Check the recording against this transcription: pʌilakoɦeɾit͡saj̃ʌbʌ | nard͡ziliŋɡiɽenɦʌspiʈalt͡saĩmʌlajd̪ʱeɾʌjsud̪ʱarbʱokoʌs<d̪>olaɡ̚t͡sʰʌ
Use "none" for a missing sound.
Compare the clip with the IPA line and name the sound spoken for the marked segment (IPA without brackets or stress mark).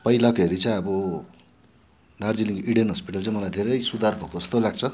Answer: t̪